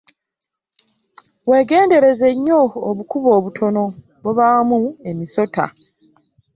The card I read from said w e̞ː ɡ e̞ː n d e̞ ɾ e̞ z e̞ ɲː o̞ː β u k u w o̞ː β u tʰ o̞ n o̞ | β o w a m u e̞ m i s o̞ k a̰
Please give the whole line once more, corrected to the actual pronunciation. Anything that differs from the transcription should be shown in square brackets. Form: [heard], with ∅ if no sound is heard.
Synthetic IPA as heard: w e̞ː ɡ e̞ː n d e̞ ɾ e̞ z e̞ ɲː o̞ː β u k u [β] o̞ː β u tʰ o̞ n o̞ | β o [β] a m u e̞ m i s o̞ [t] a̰